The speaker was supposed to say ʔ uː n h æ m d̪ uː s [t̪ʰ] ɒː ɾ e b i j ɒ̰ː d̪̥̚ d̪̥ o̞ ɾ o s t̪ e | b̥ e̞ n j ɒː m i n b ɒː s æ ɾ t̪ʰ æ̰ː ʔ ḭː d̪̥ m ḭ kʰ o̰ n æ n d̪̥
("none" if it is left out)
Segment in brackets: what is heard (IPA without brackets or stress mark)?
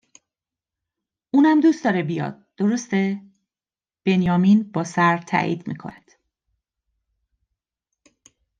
t̪